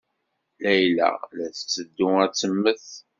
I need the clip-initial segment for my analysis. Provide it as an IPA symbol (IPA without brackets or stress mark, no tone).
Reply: l